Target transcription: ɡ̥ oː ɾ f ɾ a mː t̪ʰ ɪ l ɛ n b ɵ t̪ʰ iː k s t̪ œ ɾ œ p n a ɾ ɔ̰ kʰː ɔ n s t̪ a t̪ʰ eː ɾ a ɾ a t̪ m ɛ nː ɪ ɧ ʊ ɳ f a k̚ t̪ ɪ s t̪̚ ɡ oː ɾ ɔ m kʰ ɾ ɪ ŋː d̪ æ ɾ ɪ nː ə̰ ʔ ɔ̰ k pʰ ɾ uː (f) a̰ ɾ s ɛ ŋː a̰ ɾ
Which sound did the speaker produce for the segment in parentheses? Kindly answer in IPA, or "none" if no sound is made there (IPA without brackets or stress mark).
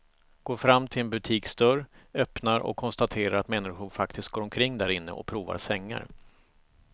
v